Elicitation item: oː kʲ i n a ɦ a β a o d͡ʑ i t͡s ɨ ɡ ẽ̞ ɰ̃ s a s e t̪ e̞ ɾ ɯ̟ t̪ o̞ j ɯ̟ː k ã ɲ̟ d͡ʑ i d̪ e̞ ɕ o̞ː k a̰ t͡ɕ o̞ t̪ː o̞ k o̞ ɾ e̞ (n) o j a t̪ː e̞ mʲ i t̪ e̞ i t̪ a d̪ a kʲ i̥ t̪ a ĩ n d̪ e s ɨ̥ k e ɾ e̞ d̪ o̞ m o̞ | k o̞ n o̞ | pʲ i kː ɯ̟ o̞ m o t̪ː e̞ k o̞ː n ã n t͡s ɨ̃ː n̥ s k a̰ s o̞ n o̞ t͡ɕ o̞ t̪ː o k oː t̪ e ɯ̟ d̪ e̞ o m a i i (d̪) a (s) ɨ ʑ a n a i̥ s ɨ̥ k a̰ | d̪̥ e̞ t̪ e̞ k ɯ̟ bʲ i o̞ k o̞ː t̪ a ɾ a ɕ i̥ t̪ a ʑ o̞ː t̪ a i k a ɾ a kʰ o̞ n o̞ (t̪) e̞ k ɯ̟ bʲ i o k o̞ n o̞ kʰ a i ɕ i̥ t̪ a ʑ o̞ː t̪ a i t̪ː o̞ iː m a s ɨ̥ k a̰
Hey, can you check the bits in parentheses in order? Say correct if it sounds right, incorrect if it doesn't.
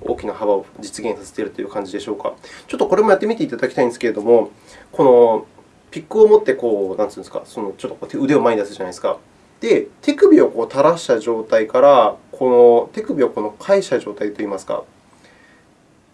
incorrect: m, correct, correct, correct

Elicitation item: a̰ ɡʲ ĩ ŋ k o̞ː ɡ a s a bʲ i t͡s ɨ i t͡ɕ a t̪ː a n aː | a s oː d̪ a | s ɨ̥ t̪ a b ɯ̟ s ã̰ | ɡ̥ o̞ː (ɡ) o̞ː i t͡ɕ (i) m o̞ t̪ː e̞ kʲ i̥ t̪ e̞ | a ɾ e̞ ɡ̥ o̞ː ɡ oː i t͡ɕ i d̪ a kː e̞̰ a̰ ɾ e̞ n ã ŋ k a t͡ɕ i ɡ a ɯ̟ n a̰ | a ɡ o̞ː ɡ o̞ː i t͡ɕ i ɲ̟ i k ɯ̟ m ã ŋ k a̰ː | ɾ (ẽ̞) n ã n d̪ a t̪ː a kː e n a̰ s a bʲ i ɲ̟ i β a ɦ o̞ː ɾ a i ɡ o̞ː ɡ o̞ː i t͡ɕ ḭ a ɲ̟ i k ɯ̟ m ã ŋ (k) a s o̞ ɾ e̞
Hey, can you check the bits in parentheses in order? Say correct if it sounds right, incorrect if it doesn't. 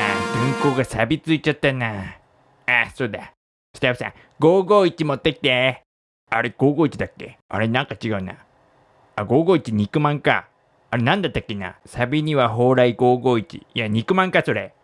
correct, correct, incorrect: e̞, correct

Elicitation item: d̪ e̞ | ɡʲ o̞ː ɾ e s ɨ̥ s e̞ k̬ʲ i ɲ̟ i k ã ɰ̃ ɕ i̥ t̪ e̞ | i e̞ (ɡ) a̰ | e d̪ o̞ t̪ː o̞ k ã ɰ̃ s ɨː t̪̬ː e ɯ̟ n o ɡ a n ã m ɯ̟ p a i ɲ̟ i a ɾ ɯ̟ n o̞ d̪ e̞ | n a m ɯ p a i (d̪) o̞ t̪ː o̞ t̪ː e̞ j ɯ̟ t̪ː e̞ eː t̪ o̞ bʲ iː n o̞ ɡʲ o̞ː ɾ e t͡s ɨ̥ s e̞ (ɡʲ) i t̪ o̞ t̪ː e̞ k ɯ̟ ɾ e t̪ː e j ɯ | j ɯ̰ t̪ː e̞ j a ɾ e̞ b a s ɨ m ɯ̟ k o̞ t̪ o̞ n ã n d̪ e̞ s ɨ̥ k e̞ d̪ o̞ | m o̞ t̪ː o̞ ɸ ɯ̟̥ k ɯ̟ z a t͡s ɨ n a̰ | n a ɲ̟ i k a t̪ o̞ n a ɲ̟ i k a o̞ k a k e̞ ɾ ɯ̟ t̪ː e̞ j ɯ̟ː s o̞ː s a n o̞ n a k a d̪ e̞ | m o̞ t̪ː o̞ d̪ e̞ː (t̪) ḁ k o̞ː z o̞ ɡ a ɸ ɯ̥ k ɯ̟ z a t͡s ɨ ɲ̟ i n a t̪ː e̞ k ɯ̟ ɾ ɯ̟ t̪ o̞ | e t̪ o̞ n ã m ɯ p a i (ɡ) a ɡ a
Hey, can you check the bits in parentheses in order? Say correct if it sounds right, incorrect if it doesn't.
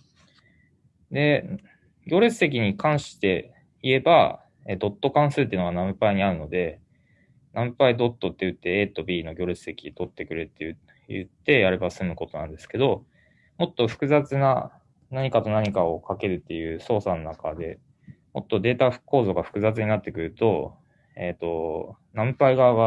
incorrect: b, correct, incorrect: kʲ, correct, correct

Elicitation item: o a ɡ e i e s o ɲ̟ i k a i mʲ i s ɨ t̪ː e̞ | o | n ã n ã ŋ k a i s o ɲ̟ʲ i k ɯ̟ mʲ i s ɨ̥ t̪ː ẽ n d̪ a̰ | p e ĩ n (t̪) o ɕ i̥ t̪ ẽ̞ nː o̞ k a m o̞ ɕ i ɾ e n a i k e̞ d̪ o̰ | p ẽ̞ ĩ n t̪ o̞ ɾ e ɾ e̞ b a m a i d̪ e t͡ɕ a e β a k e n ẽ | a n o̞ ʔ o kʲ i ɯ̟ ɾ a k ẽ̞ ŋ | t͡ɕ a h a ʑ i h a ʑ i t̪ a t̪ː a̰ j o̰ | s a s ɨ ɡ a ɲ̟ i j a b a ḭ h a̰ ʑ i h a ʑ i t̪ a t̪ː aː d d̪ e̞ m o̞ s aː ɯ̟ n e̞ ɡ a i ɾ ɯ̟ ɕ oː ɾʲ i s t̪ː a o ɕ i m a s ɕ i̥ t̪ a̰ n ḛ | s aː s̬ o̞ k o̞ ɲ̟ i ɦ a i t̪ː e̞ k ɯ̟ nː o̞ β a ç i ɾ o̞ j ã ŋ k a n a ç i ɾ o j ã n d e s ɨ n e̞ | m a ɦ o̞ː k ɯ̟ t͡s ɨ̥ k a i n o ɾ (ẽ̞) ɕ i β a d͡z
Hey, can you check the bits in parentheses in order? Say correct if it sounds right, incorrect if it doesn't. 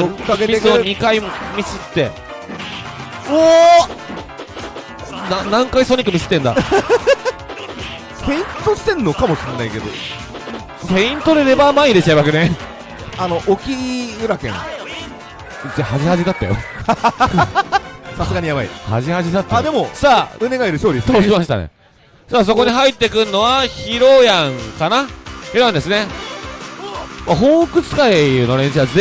correct, correct

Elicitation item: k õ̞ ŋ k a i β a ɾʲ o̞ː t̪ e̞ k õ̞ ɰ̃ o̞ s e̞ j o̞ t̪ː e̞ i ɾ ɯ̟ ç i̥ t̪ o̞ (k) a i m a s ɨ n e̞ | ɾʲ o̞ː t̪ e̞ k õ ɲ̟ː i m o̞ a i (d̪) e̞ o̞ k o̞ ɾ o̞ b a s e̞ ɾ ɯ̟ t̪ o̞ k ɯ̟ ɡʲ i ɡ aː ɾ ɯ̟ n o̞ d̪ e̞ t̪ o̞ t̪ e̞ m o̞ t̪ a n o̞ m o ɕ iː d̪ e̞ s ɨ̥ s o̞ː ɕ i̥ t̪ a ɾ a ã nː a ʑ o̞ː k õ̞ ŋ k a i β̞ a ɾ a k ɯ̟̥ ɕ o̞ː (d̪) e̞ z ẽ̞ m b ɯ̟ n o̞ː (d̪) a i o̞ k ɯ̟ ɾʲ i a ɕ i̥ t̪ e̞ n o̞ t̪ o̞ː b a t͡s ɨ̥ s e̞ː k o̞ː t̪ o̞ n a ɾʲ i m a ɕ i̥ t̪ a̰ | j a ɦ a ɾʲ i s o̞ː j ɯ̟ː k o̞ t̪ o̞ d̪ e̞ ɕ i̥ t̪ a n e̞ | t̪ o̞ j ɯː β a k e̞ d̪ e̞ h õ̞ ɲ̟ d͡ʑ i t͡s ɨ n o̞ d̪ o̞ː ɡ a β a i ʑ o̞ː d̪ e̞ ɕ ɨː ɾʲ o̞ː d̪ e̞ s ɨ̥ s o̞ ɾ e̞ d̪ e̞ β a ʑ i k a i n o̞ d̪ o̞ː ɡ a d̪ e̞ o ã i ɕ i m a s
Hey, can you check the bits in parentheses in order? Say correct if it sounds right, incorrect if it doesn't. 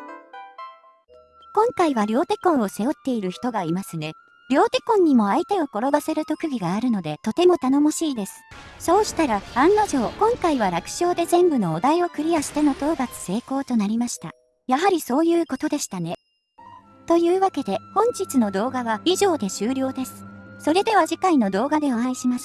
incorrect: ɡ, incorrect: t̪, correct, correct

